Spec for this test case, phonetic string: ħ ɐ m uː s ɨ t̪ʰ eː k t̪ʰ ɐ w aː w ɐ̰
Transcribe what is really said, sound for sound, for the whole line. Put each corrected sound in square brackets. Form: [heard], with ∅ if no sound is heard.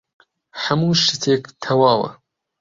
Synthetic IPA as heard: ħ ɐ m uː [ʃ] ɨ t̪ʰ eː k t̪ʰ ɐ w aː w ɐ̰